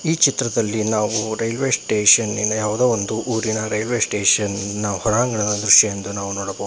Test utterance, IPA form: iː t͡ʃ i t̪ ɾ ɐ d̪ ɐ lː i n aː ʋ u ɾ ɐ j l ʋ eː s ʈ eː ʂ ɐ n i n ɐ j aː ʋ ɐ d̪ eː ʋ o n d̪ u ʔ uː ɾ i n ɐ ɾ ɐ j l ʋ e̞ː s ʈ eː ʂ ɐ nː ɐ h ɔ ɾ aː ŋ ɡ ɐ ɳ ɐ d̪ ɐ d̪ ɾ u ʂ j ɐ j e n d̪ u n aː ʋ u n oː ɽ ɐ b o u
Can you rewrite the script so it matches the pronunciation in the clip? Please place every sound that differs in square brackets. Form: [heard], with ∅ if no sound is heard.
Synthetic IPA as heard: iː t͡ʃ i t̪ ɾ ɐ d̪ ɐ lː i n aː ʋ u ɾ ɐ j l ʋ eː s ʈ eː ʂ ɐ n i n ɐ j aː ʋ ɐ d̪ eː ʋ o n d̪ u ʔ uː ɾ i n ɐ ɾ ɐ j l ʋ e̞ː s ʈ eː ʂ ɐ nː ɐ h ɔ ɾ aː ŋ ɡ ɐ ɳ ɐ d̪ ɐ d̪ ɾ u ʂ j ɐ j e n d̪ u n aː ʋ u n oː ɽ ɐ b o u